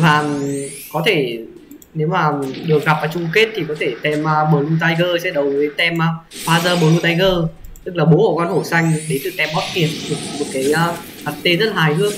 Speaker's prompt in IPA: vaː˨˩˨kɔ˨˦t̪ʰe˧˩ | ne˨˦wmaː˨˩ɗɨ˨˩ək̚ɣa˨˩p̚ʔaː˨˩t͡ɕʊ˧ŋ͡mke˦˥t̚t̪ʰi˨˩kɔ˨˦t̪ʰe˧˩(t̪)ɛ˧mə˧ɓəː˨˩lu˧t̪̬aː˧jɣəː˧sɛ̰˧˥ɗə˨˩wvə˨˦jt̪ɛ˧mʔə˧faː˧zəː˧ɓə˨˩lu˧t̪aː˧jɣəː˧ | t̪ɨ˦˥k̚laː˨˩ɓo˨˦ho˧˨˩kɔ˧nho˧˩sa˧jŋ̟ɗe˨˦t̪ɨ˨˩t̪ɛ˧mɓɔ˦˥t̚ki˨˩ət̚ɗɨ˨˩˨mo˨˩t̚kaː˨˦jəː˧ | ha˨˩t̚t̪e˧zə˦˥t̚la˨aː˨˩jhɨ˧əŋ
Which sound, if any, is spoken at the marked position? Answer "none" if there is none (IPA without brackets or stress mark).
t̪